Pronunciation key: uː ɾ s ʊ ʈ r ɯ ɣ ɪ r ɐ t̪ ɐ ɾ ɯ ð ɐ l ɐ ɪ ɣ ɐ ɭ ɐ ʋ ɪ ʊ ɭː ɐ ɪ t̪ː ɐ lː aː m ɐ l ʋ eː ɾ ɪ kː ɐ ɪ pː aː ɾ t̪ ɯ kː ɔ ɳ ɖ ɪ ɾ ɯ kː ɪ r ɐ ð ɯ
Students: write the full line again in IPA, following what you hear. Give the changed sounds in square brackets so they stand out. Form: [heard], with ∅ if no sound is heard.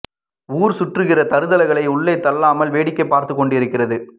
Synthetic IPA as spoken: uː ɾ s ʊ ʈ r ɯ ɣ ɪ r ɐ t̪ ɐ ɾ ɯ ð ɐ l ɐ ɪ ɣ ɐ ɭ ɐ [∅] ɪ ʊ ɭː ɐ ɪ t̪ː ɐ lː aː m ɐ l ʋ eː [ɽ] ɪ kː ɐ ɪ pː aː ɾ t̪ ɯ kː ɔ ɳ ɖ ɪ ɾ ɯ kː ɪ r ɐ ð ɯ